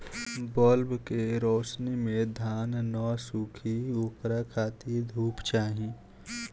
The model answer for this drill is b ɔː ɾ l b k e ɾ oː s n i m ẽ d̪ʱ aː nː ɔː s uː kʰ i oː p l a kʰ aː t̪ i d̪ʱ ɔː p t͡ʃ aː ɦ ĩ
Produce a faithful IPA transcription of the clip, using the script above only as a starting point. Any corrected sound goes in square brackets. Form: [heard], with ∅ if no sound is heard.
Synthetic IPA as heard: b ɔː [∅] l b k e ɾ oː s n i m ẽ d̪ʱ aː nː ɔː s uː kʰ i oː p [ɾ] a kʰ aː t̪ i d̪ʱ [uː] p t͡ʃ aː ɦ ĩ